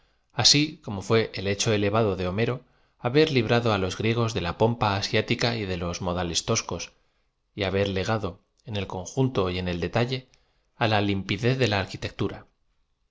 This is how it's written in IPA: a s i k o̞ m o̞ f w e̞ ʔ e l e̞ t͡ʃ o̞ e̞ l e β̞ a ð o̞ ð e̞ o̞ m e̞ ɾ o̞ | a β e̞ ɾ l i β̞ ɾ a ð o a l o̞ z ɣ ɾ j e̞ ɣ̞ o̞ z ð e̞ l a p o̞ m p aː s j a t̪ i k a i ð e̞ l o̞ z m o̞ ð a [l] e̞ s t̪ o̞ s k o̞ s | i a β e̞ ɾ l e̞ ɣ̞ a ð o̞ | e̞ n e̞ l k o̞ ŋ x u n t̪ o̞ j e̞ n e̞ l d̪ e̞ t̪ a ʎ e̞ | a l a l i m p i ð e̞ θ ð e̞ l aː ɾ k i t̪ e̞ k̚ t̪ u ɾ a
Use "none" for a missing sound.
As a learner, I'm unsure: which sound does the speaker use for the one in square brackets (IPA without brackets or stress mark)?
l